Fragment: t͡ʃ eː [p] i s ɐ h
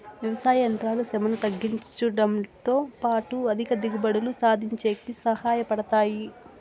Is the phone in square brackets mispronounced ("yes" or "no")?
yes